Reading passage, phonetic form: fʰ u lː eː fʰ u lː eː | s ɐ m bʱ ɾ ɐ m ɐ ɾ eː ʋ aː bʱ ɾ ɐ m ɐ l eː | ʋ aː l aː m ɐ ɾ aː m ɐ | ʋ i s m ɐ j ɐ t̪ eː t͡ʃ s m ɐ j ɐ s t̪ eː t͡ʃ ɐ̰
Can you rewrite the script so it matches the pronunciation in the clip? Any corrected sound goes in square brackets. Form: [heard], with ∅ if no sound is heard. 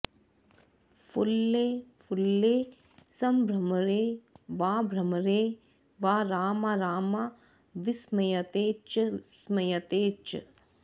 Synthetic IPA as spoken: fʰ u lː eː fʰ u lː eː | s ɐ m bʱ ɾ ɐ m ɐ ɾ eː ʋ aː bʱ ɾ ɐ m ɐ [ɾ] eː | ʋ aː [ɾ] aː m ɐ ɾ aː m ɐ | ʋ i s m ɐ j ɐ t̪ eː t͡ʃ s m ɐ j ɐ [∅] t̪ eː t͡ʃ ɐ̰

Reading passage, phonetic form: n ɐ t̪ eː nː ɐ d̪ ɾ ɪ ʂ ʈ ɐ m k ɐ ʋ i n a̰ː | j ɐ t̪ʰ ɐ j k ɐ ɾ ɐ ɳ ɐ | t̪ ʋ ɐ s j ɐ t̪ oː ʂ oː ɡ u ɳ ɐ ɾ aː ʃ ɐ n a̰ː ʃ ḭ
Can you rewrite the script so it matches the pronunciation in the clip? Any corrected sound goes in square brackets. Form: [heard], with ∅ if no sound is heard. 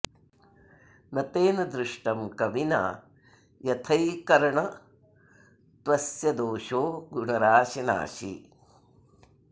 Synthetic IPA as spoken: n ɐ t̪ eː [n] ɐ d̪ ɾ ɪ ʂ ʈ ɐ m k ɐ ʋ i n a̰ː | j ɐ t̪ʰ ɐ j k ɐ ɾ ɐ ɳ ɐ | t̪ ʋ ɐ s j ɐ [d̪] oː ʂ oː ɡ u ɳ ɐ ɾ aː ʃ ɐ n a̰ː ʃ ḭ

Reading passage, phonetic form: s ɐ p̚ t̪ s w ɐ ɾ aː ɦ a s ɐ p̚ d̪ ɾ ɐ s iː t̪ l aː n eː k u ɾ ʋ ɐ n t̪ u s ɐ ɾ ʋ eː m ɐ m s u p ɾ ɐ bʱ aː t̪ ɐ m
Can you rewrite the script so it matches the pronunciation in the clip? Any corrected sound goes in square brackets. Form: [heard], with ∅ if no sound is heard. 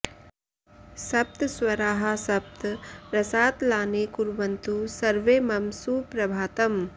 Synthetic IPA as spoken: s ɐ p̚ t̪ s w ɐ ɾ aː ɦ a s ɐ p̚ [t̪] ɾ ɐ s [aː] t̪ l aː n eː k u ɾ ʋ ɐ n t̪ u s ɐ ɾ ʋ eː m ɐ m s u p ɾ ɐ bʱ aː t̪ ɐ m

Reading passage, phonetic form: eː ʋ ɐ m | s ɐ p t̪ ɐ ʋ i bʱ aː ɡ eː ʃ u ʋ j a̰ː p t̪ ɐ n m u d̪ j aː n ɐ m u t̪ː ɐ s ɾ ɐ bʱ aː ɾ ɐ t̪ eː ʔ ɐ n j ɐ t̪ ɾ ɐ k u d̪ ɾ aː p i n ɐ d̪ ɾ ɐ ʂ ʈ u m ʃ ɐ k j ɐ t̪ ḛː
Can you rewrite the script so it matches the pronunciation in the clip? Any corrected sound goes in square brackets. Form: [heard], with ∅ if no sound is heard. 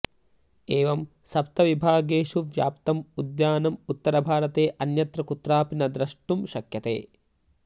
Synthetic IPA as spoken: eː ʋ ɐ m | s ɐ p t̪ ɐ ʋ i bʱ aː ɡ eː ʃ u ʋ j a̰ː p t̪ ɐ [∅] m u d̪ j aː n ɐ m u t̪ː ɐ [∅] ɾ ɐ bʱ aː ɾ ɐ t̪ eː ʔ ɐ n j ɐ t̪ ɾ ɐ k u [t̪] ɾ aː p i n ɐ d̪ ɾ ɐ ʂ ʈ u m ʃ ɐ k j ɐ t̪ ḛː

